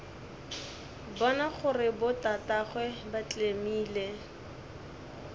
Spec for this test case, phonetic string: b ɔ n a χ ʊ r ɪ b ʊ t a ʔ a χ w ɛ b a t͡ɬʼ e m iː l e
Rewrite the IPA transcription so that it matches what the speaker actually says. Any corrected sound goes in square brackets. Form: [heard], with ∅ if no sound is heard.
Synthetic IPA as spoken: b ɔ n a χ ʊ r ɪ b ʊ t a [t] a χ w ɛ b a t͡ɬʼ e m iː l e